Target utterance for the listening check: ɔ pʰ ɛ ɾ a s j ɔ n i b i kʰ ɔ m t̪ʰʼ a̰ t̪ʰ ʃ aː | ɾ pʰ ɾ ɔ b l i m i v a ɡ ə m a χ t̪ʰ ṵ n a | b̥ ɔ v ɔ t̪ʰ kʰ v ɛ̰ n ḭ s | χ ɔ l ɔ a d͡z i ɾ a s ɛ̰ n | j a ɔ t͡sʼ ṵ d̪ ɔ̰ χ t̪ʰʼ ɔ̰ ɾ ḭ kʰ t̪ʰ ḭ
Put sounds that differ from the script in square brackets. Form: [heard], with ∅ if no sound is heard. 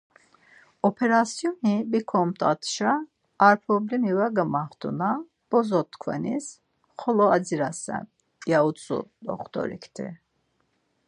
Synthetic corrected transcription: ɔ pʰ ɛ ɾ a s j ɔ n i b i kʰ ɔ m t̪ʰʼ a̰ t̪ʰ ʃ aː | ɾ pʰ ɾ ɔ b l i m i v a ɡ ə m a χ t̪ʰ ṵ n a | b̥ ɔ [z] ɔ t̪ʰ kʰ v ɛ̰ n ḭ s | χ ɔ l ɔ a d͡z i ɾ a s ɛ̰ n | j a [u] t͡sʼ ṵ d̪ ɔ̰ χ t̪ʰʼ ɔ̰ ɾ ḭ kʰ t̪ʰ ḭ